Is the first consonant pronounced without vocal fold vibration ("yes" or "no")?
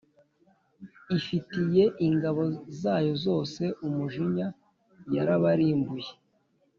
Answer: yes